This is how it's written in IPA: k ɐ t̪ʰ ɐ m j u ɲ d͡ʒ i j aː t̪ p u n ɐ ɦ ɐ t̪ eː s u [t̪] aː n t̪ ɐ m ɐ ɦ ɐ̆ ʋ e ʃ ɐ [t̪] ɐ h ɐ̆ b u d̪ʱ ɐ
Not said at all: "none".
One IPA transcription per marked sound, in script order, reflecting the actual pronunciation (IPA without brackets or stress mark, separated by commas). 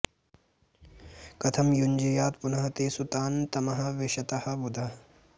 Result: t̪, t̪